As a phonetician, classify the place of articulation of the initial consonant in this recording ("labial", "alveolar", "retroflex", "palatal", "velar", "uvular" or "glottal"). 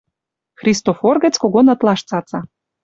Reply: velar